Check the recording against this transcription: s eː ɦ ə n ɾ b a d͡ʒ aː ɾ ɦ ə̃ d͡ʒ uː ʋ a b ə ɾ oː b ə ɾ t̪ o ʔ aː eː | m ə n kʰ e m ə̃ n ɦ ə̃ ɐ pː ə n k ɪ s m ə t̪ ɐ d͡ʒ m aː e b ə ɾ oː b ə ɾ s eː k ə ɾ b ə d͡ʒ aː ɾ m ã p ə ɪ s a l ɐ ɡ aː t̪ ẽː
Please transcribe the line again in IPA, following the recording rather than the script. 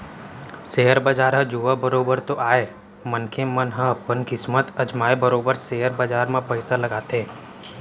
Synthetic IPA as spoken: s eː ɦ ə ɾ b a d͡ʒ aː ɾ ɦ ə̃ d͡ʒ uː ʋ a b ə ɾ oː b ə ɾ t̪ o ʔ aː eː | m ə n kʰ e m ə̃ n ɦ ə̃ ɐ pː ə n k ɪ s m ə t̪ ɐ d͡ʒ m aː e b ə ɾ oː b ə ɾ s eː ə ɾ b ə d͡ʒ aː ɾ m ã p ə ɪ s a l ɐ ɡ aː t̪ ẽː